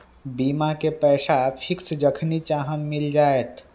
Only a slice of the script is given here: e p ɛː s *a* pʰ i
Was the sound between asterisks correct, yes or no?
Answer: yes